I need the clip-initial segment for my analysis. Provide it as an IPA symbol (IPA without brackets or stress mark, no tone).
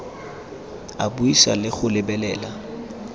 a